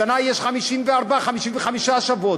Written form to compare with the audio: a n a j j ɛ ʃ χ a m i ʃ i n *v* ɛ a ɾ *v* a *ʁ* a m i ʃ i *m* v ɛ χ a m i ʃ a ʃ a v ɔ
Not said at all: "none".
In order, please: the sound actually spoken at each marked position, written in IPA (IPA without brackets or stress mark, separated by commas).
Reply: v, b, χ, n